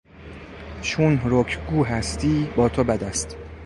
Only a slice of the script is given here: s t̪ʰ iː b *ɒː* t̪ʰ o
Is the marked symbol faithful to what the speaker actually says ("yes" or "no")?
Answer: yes